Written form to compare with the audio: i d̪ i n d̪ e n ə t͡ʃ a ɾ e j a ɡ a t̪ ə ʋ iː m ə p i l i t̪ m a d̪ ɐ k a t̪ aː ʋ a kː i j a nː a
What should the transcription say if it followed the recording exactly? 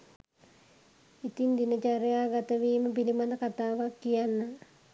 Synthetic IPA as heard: i t̪ i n d̪ i n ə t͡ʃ a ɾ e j a ɡ a t̪ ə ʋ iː m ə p i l i m a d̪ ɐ k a t̪ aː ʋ a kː i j a nː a